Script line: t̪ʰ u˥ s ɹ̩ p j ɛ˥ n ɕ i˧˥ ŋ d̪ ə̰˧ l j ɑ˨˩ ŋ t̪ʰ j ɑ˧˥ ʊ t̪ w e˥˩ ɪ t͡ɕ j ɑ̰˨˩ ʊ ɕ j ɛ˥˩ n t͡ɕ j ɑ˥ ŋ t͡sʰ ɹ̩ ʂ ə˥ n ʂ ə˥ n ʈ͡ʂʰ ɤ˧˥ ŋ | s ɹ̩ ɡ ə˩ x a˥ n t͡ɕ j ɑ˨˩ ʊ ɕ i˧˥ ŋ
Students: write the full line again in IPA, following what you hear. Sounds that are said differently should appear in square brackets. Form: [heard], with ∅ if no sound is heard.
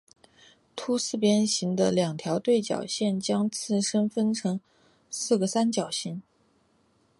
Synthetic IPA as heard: t̪ʰ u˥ s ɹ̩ p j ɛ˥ n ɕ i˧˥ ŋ d̪ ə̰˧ l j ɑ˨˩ ŋ t̪ʰ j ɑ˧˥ ʊ t̪ w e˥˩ ɪ t͡ɕ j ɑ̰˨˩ ʊ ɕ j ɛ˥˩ n t͡ɕ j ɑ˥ ŋ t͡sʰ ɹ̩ ʂ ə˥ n [f] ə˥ n ʈ͡ʂʰ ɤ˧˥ ŋ | s ɹ̩ ɡ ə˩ [s] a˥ n t͡ɕ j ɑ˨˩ ʊ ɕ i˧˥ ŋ